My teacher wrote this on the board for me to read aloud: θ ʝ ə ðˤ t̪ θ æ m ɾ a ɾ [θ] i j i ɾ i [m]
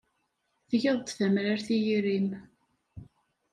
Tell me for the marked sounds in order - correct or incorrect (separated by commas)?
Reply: correct, correct